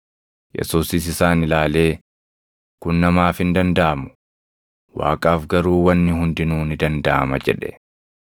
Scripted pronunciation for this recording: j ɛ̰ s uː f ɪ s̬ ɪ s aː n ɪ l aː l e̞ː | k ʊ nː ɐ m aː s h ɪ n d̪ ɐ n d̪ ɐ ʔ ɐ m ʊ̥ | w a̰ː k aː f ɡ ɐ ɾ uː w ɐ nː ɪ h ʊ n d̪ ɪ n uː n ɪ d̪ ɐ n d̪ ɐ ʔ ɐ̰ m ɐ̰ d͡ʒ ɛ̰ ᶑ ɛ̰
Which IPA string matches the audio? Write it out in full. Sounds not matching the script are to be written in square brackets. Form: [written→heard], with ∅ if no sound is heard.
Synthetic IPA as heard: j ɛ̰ s uː [f→s] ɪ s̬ ɪ s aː n ɪ l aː l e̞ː | k ʊ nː ɐ m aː [s→f] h ɪ n d̪ ɐ n d̪ ɐ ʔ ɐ m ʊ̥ | w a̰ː [k→kʼ] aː f ɡ ɐ ɾ uː w ɐ nː ɪ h ʊ n d̪ ɪ n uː n ɪ d̪ ɐ n d̪ ɐ ʔ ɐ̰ m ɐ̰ d͡ʒ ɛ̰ ᶑ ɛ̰